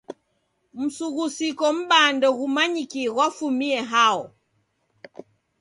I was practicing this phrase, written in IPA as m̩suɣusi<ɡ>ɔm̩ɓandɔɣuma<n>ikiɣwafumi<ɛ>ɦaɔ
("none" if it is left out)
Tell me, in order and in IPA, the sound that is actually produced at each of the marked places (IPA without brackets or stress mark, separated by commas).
k, ɲ, ɛ